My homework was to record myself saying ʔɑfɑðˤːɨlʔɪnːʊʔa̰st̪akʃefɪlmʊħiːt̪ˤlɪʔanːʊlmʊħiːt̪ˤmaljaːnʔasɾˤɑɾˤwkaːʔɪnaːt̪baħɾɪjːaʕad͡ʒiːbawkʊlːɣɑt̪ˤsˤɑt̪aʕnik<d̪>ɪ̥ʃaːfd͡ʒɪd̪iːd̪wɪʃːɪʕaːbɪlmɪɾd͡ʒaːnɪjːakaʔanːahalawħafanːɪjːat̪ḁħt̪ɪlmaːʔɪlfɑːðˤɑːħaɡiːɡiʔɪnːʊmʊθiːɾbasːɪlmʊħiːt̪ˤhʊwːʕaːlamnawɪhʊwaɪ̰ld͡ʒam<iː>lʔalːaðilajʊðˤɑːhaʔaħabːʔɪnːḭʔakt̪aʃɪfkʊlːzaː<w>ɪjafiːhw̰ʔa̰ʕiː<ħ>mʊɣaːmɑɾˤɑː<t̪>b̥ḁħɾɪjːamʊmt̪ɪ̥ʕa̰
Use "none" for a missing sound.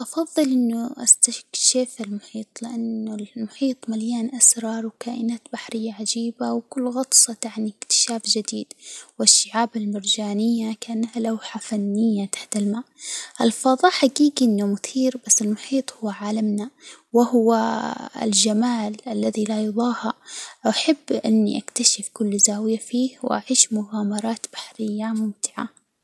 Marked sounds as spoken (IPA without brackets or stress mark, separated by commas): t̪, aː, w, ʃ, t̪